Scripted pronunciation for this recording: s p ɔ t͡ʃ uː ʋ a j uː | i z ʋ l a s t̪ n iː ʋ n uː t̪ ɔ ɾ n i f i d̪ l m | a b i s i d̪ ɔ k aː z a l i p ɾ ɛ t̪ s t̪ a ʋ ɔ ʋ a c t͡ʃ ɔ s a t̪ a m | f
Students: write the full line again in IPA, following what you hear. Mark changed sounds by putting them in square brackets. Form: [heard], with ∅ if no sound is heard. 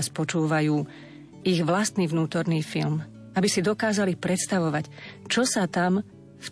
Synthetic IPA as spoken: s p ɔ t͡ʃ uː ʋ a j uː | i [ɣ] ʋ l a s t̪ n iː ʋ n uː t̪ ɔ ɾ n [iː] f i [∅] l m | a b i s i d̪ ɔ k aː z a l i p ɾ ɛ t̪ s t̪ a ʋ ɔ ʋ a c t͡ʃ ɔ s a t̪ a m | f